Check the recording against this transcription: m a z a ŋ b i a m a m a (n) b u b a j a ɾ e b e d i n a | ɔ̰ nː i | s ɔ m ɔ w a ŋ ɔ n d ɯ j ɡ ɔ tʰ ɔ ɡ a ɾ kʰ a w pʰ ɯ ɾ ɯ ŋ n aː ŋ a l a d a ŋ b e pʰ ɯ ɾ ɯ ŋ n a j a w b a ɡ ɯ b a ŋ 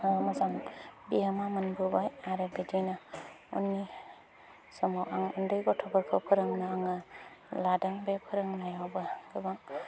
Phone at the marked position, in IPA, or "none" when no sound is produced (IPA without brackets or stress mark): n